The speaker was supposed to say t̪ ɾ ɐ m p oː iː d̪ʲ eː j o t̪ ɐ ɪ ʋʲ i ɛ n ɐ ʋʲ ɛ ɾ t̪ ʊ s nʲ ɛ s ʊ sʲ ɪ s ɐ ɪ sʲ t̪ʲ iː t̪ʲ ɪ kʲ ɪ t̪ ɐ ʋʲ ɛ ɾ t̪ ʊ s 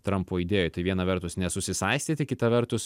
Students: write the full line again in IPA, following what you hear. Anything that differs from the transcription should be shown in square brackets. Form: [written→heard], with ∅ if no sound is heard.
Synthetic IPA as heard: t̪ ɾ ɐ m p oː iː d̪ʲ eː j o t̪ ɐ ɪ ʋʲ i ɛ n ɐ ʋʲ ɛ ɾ t̪ ʊ s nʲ ɛ s ʊ sʲ ɪ s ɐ ɪ sʲ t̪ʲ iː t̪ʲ ɪ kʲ ɪ t̪ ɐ ʋʲ ɛ ɾ t̪ ʊ s